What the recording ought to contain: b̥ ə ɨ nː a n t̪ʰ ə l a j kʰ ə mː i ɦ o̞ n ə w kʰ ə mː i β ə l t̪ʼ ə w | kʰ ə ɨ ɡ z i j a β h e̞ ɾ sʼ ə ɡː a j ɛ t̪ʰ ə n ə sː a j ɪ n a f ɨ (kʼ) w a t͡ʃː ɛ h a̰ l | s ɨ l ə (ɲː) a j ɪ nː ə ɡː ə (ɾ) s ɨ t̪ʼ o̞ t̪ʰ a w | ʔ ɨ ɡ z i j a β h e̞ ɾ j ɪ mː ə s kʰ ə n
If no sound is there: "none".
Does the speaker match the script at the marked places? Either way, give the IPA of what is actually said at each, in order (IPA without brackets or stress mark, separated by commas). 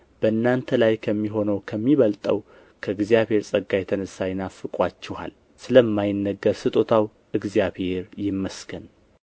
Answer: kʼ, mː, ɾ